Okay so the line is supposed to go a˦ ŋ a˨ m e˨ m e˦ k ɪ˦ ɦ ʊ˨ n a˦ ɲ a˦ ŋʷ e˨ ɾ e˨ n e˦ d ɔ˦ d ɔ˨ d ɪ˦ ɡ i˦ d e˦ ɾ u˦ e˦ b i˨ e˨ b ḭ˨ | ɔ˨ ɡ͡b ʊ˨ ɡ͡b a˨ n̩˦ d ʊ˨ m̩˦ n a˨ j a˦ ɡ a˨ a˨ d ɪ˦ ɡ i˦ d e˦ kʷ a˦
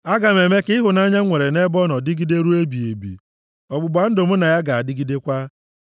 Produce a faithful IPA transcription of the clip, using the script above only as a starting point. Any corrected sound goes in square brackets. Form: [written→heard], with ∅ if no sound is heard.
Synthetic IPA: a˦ [ŋ→ɡ] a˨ m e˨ m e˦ k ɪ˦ ɦ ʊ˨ n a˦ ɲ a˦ ŋʷ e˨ ɾ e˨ n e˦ [d→b] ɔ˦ [d→n] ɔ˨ d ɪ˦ ɡ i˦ d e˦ ɾ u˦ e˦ b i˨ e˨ b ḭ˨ | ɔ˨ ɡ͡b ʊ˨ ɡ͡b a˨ n̩˦ d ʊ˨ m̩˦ n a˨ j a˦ ɡ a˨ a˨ d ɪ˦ ɡ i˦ d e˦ kʷ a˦